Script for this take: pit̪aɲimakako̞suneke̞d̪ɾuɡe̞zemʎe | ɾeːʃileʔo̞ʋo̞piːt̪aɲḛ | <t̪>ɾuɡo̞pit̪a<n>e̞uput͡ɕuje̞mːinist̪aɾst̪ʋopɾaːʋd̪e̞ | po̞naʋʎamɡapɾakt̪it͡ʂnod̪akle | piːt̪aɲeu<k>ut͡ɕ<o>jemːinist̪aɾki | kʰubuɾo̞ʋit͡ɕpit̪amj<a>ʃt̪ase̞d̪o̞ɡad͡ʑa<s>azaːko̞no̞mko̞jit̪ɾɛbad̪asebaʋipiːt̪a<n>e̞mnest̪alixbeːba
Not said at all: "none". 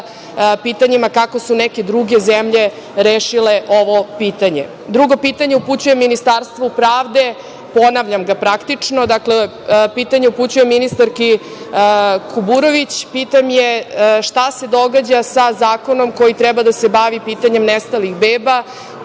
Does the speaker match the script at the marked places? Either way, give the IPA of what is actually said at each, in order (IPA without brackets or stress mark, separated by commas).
d̪, ɲ, p, u, e, s, ɲ